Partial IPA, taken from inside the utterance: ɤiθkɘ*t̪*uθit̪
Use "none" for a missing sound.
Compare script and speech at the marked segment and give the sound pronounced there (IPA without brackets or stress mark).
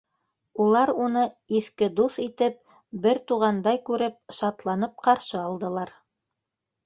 d̪